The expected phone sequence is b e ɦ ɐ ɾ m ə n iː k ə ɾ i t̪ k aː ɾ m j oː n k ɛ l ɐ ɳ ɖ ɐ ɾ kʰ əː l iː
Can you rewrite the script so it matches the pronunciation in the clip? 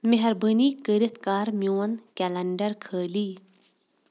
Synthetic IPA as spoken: m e ɦ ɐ ɾ b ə n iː k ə ɾ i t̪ k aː ɾ m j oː n k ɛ l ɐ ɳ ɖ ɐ ɾ kʰ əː l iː